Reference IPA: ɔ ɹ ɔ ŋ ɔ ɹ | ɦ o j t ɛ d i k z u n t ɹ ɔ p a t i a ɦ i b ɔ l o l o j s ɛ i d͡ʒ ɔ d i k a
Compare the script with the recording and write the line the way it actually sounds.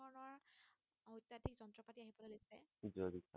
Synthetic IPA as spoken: ɔ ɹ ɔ n ɔ ɹ | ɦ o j t a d i k z ɔ n t ɹ ɔ p a t i a ɦ i b ɔ l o l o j s ɛ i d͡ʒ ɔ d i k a